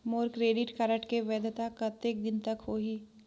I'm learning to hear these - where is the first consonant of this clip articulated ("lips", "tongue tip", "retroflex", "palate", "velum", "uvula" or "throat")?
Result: lips